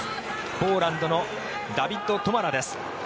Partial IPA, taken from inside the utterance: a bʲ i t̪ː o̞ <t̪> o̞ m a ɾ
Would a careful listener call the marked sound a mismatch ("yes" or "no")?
no